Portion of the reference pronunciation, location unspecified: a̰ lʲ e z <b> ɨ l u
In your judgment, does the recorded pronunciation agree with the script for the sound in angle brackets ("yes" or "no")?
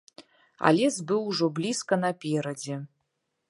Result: yes